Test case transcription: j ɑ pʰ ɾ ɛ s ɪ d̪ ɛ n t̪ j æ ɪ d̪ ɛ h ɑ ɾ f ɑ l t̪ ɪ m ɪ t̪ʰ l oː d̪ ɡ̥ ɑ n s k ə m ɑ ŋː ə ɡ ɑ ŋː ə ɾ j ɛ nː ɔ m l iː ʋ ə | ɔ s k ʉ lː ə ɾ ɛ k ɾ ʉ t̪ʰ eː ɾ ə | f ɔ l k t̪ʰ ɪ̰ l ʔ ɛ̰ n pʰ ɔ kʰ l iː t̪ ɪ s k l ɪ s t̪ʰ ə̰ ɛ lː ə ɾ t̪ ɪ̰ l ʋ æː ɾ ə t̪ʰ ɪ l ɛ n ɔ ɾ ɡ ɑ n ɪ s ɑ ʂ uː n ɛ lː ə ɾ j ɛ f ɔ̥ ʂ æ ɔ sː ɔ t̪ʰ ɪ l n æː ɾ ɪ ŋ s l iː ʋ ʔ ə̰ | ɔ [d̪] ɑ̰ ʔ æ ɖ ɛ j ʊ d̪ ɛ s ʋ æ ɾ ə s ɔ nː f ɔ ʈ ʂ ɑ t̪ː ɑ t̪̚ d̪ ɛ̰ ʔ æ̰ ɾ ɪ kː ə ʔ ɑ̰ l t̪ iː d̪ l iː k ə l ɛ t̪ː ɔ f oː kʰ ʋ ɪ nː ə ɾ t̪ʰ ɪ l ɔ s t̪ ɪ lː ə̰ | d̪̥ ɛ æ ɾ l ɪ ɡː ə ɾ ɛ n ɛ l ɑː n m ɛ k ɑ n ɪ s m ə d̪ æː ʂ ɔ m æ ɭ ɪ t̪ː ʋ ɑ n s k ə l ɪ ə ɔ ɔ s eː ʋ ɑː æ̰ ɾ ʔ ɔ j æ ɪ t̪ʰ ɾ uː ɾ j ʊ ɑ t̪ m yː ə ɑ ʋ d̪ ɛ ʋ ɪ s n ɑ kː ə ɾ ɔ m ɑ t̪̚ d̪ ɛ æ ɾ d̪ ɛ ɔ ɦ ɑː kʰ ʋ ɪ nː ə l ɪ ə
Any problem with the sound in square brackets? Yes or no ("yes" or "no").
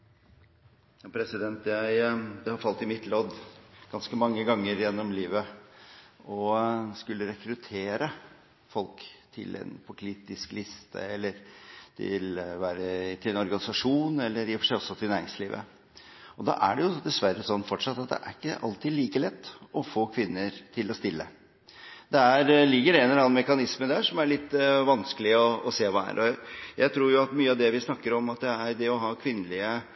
no